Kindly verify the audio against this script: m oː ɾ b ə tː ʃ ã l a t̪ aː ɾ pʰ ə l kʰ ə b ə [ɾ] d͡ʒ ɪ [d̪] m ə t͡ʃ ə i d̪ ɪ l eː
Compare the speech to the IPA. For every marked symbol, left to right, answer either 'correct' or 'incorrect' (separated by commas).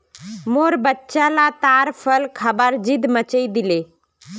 correct, correct